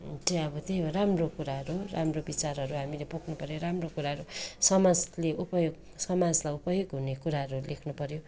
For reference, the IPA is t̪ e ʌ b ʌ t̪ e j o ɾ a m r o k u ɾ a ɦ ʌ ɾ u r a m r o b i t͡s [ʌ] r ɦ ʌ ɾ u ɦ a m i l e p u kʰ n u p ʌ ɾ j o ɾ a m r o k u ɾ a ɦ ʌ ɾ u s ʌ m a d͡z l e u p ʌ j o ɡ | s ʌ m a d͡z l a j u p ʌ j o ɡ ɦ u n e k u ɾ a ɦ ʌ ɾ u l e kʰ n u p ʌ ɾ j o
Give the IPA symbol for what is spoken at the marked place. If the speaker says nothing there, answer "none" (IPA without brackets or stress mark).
a